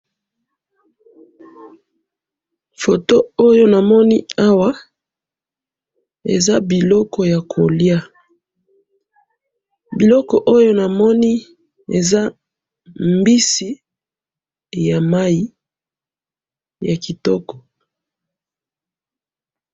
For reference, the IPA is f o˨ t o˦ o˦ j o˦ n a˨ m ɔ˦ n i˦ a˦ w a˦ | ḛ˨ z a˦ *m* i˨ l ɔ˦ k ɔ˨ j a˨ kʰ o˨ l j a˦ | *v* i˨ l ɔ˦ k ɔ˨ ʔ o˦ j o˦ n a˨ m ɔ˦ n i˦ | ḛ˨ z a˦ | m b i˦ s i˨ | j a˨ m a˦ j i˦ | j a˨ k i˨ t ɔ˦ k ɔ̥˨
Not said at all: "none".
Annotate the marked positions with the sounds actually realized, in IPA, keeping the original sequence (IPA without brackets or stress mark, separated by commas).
b, b